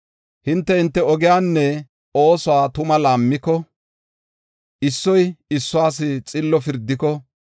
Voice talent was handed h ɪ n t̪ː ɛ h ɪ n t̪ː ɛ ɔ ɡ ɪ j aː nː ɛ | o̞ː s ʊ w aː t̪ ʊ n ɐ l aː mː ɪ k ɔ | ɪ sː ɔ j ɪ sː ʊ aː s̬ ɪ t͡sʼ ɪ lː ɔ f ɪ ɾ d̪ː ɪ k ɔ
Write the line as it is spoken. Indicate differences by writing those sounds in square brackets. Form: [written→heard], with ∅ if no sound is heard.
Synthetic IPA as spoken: h ɪ n t̪ː ɛ h ɪ n t̪ː ɛ ɔ ɡ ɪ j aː nː ɛ | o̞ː s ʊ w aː t̪ ʊ [n→m] ɐ l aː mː ɪ k ɔ | ɪ sː ɔ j ɪ sː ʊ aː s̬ ɪ t͡sʼ ɪ lː ɔ f ɪ ɾ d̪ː ɪ k ɔ